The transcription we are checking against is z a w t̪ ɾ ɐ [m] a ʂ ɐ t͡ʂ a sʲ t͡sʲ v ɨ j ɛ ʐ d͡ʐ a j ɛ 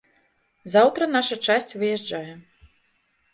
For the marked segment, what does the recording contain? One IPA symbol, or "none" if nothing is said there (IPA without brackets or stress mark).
n